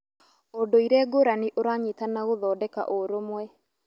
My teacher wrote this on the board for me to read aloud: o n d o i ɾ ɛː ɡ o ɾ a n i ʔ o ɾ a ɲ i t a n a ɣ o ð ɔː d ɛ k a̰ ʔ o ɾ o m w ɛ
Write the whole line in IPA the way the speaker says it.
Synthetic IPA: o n d o i ɾ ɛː ɡ o ɾ a n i ʔ o ɾ a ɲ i t a n a ɣ o ð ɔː d ɛ k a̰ ʔ o ɾ o m w ɛ